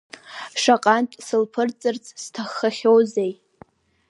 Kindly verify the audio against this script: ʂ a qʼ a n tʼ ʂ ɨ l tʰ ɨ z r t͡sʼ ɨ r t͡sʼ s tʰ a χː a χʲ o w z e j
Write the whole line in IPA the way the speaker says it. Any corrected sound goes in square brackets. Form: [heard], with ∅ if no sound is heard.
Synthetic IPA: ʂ a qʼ a n tʼ [s] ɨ l [pʰ] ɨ [∅] r t͡sʼ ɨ r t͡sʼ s tʰ a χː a χʲ o w z e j

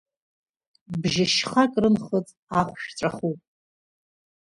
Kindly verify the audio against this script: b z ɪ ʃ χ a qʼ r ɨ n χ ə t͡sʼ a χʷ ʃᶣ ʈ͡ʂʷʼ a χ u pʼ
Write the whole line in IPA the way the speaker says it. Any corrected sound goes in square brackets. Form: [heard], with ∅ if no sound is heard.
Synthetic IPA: b [ʒ] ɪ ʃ χ a [kʼ] r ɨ n χ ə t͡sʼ a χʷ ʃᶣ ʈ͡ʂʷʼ a χ u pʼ

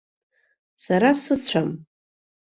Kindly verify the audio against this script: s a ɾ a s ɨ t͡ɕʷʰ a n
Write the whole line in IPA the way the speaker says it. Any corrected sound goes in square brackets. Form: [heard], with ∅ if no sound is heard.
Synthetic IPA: s a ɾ a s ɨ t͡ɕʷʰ a [m]

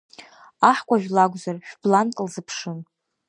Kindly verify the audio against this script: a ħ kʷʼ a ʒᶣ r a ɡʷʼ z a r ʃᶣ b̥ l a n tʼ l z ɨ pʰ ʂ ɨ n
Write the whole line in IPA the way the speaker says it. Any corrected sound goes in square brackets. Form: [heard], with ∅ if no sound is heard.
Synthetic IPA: a ħ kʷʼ a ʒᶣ [l] a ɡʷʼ z a r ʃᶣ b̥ l a n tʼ l z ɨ pʰ ʂ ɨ n

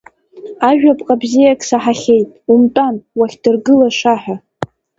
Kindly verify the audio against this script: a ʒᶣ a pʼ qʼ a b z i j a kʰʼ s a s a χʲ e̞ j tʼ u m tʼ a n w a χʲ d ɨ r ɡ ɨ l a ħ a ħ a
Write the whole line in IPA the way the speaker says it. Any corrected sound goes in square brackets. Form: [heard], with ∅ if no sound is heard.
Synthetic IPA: a ʒᶣ a pʼ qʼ a b z i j a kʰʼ s a [ħ] a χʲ e̞ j tʼ u m tʼ a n w a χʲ d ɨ r ɡ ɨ l a [ʂ] a ħ a

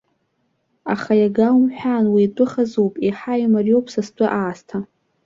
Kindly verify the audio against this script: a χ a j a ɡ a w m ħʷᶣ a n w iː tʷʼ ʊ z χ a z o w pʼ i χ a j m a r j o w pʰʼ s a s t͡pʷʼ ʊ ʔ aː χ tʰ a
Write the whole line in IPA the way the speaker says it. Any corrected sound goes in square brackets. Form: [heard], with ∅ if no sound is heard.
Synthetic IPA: a χ a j a ɡ a w m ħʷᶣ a n w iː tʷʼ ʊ [∅] χ a z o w pʼ i [ħ] a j m a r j o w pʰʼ s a s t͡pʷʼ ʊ ʔ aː [s] tʰ a

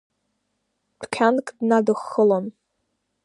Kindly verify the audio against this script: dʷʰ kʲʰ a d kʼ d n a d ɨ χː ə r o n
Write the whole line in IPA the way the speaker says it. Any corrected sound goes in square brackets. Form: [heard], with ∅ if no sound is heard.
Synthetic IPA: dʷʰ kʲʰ a [n] kʼ d n a d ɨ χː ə [l] o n

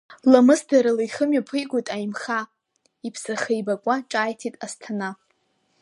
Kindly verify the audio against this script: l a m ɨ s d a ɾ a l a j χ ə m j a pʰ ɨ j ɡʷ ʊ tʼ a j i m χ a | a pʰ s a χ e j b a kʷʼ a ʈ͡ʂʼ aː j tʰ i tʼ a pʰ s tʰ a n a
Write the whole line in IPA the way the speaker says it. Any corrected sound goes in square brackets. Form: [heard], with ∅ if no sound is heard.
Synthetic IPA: l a m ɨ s d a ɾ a l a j χ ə m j a pʰ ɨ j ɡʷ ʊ tʼ a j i m χ a | [i] pʰ s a χ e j b a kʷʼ a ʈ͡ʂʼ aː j tʰ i tʼ a [∅] s tʰ a n a

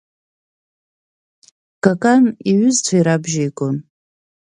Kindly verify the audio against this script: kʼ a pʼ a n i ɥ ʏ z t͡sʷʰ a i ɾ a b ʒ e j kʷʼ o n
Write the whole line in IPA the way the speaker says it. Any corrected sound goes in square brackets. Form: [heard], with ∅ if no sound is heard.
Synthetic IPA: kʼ a [kʼ] a n i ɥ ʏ z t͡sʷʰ a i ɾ a b ʒ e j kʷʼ o n

